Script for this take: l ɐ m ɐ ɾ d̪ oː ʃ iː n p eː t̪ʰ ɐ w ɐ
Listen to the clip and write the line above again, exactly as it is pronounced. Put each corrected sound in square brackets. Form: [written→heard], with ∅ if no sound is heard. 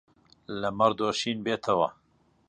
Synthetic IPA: l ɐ m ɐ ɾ d̪ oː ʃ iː n [p→b] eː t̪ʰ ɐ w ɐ